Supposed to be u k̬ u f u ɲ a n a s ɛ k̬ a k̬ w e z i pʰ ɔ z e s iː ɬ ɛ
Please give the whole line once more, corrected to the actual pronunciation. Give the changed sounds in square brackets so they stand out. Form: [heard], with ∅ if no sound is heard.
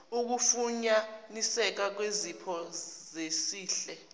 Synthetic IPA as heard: u k̬ u f u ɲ a n [i] s ɛ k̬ a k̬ w e z i pʰ ɔ z e s iː ɬ ɛ